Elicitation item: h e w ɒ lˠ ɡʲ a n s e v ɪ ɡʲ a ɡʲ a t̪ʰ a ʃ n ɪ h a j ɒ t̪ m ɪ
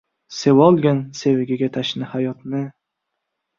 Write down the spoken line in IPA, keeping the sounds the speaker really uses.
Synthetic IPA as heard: s e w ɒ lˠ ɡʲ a n s e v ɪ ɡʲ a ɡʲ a t̪ʰ a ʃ n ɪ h a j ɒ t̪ n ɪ